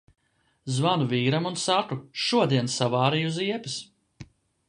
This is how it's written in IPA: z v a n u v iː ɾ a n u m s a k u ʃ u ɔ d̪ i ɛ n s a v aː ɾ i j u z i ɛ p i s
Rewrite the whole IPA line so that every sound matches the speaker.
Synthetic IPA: z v a n u v iː ɾ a m u n s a k u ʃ u ɔ d̪ i ɛ n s a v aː ɾ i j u z i ɛ p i s